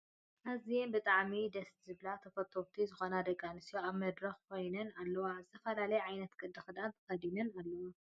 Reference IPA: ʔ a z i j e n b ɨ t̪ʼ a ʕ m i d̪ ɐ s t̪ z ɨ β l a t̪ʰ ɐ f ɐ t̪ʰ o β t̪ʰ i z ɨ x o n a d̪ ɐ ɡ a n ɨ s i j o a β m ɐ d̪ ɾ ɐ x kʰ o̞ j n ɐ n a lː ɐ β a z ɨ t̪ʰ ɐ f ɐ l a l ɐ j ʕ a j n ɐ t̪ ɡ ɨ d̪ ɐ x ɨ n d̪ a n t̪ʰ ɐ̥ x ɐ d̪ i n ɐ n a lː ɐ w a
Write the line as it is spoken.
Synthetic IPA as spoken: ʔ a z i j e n b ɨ t̪ʼ a ʕ m i d̪ ɐ s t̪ z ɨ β l a t̪ʰ ɐ f ɐ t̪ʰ o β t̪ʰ i z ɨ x o n a d̪ ɐ ɡ a n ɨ s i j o a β m ɐ d̪ ɾ ɐ x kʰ o̞ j n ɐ n a lː ɐ w a z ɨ t̪ʰ ɐ f ɐ l a l ɐ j ʕ a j n ɐ t̪ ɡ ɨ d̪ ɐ x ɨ d̪ a n t̪ʰ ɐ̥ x ɐ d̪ i n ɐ n a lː ɐ w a